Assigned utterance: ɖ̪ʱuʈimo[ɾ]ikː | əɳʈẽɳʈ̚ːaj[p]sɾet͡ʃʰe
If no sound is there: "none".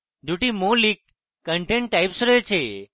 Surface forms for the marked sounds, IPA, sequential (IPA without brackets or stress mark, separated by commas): l, p